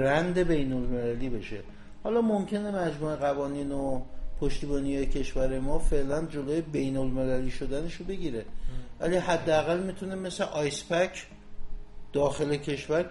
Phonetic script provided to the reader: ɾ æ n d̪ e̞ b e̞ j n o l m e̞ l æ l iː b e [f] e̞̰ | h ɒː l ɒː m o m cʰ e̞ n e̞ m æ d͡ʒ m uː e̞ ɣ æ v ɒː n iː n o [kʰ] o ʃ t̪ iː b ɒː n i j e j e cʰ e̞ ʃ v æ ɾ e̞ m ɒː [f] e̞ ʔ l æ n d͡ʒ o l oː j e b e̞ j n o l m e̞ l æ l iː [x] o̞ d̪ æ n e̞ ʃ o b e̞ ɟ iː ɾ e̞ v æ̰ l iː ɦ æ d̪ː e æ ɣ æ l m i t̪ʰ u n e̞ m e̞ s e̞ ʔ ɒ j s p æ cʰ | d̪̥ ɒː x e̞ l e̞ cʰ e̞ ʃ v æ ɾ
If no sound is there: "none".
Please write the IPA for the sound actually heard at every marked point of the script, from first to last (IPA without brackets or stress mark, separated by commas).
ʃ, pʰ, f, ʃ